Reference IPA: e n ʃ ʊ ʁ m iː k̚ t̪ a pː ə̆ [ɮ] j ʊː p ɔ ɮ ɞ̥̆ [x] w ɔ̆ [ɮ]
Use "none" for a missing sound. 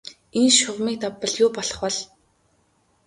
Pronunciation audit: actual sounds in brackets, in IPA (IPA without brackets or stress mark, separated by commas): ɮ, χ, ɮ